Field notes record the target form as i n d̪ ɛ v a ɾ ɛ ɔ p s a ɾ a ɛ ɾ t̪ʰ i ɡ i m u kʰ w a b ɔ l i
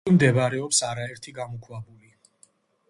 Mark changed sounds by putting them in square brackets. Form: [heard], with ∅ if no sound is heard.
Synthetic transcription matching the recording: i [m] d̪ ɛ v a ɾ ɛ ɔ p s a ɾ a ɛ ɾ t̪ʰ i ɡ [a] m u kʰ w a b [u] l i